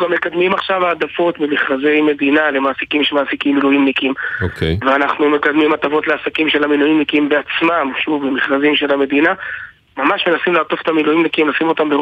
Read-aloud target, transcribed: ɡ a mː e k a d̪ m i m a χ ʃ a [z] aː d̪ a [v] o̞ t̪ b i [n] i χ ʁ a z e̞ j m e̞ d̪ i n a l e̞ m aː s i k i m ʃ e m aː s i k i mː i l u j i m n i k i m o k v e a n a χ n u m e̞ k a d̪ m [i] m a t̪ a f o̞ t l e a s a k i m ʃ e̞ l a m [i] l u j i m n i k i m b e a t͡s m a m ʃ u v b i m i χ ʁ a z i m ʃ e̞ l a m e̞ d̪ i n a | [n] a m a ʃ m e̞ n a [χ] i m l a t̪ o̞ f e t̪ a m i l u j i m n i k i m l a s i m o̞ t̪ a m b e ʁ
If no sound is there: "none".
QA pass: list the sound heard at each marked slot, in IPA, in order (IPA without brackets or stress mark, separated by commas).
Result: v, f, m, i, i, m, s